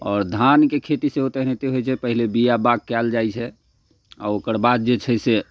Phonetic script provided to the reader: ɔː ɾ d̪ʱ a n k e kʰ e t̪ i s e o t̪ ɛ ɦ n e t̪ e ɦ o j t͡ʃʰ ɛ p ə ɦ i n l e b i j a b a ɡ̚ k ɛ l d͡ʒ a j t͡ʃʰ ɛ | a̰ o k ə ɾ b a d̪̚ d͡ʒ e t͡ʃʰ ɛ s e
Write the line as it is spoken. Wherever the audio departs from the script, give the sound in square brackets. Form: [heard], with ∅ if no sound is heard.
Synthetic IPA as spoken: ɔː ɾ d̪ʱ a n k e kʰ e t̪ i s e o t̪ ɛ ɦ n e t̪ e ɦ o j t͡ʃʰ ɛ p ə ɦ i [∅] l e b i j a b a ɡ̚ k ɛ l d͡ʒ a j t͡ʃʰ ɛ | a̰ o k ə ɾ b a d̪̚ d͡ʒ e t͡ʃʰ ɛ s e